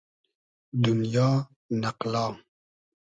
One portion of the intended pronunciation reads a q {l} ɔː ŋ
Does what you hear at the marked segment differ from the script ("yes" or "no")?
no